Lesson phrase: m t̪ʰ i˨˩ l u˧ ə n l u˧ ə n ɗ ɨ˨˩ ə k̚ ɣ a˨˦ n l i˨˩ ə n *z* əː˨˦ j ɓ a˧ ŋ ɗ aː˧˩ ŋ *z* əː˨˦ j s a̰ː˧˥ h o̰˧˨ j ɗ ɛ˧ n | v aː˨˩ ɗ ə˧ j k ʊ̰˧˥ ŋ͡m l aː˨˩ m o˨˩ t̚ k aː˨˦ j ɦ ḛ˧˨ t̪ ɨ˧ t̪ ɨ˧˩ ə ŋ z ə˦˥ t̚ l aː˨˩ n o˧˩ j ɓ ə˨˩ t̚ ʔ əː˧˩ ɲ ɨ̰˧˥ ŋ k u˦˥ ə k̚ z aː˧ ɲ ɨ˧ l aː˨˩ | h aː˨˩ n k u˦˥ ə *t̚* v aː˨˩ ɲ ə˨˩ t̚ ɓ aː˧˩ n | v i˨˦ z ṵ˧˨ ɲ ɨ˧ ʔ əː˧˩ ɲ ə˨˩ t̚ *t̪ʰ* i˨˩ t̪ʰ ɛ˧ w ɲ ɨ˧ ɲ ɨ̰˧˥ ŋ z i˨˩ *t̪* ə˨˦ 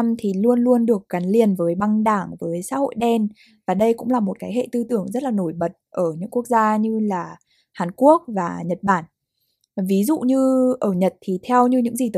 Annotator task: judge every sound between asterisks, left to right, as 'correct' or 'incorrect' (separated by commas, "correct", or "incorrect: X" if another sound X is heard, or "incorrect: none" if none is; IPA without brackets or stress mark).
incorrect: v, incorrect: v, incorrect: k̚, correct, correct